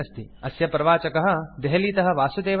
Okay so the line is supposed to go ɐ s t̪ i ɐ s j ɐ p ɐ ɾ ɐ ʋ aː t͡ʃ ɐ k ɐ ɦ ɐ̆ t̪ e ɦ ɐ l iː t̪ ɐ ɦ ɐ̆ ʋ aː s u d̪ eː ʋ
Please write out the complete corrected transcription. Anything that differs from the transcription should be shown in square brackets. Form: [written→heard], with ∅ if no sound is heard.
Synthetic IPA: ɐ s t̪ i ɐ s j ɐ p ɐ ɾ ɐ ʋ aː t͡ʃ ɐ k ɐ ɦ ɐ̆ [t̪→d̪] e ɦ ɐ l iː t̪ ɐ ɦ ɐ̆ ʋ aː s u d̪ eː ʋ